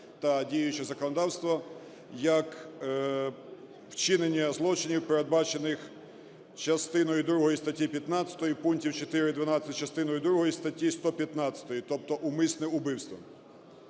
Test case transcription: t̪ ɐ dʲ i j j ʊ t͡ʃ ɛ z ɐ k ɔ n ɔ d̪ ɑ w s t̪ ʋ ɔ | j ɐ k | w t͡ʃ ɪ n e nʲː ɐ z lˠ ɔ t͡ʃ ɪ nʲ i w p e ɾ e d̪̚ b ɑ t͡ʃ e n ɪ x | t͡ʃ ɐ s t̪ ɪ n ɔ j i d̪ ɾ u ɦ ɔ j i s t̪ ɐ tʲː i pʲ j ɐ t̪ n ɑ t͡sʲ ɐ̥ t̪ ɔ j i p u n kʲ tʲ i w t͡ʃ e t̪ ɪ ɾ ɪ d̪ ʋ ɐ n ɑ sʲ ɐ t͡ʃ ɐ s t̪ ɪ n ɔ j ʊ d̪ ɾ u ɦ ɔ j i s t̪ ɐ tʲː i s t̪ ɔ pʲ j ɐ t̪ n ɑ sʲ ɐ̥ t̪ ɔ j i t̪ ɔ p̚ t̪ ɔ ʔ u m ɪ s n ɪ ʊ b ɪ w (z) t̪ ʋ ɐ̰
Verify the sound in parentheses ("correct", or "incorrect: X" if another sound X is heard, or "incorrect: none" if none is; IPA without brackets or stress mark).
incorrect: s